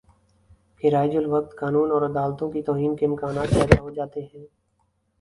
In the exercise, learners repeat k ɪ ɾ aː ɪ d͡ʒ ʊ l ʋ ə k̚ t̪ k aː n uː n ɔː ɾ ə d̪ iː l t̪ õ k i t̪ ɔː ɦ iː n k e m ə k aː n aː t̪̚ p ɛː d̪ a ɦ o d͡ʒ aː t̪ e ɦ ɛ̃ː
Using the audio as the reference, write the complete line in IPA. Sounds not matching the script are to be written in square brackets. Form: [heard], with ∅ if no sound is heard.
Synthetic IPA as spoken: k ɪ ɾ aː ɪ d͡ʒ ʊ l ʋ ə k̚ t̪ k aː n uː n ɔː ɾ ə d̪ [aː] l t̪ õ k i t̪ ɔː ɦ iː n k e m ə k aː n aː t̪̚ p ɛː d̪ a ɦ o d͡ʒ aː t̪ e ɦ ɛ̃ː